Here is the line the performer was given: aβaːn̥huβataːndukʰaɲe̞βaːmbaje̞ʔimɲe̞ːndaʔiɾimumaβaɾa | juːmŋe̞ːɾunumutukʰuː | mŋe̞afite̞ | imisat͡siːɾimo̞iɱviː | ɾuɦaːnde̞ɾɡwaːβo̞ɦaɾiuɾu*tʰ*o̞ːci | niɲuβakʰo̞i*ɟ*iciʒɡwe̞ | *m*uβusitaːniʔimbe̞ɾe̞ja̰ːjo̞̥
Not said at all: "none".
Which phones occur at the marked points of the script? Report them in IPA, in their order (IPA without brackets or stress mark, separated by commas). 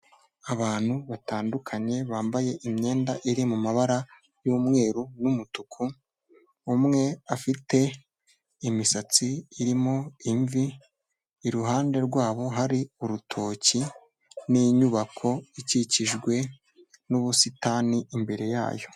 tʰ, c, n